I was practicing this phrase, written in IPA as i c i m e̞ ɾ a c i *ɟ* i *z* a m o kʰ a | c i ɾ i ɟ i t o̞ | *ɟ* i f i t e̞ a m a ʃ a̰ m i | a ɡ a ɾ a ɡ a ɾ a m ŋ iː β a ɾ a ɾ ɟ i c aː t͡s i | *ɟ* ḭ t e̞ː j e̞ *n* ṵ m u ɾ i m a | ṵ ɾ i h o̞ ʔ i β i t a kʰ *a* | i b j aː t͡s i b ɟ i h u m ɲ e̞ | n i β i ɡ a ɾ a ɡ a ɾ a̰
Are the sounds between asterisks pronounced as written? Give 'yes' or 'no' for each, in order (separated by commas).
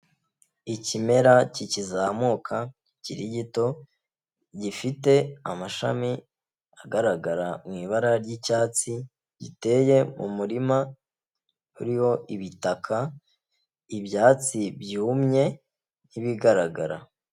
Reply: no, yes, yes, yes, no, yes